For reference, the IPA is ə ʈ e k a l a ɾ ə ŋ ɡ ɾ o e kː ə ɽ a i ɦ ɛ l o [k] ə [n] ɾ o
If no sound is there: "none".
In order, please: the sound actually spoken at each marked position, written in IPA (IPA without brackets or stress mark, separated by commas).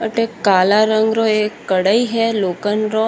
k, n